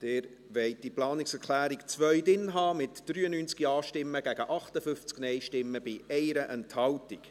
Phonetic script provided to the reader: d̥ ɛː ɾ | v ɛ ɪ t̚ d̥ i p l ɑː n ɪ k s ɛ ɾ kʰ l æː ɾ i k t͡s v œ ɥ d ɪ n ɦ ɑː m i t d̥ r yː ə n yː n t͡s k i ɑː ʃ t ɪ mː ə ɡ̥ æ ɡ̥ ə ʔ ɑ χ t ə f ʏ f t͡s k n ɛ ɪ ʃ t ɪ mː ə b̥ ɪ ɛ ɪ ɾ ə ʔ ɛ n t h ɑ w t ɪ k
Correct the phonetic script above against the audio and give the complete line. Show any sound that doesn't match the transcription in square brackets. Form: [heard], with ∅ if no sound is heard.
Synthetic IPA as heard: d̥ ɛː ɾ | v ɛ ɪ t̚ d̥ i p l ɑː n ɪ k s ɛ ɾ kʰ l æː ɾ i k t͡s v œ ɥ d ɪ n ɦ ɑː m [ɪ] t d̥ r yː ə n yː n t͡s k i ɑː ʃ t ɪ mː ə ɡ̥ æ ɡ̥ ə ʔ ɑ χ t ə f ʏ f t͡s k n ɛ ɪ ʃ t ɪ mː ə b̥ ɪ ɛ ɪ ɾ ə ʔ ɛ n t h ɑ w t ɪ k